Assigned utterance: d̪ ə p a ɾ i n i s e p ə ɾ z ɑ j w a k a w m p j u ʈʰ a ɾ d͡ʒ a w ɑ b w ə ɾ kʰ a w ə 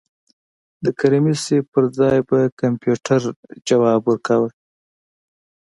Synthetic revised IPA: d̪ ə k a ɾ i m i s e p ə ɾ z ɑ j b a k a m p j u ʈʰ a ɾ d͡ʒ a w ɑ b w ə ɾ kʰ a w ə